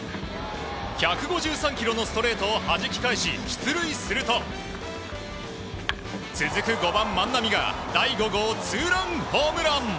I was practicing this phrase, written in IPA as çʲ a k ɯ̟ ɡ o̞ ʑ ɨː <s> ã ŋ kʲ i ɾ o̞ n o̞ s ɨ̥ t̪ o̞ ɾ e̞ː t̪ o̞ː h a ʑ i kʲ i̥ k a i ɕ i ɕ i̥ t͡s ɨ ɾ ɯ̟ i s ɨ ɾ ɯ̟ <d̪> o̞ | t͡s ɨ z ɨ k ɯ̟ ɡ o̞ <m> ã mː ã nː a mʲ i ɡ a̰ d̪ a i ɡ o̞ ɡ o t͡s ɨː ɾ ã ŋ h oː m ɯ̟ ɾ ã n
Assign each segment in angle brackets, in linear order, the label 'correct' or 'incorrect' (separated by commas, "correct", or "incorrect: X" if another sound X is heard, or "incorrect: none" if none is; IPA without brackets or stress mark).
correct, incorrect: t̪, incorrect: b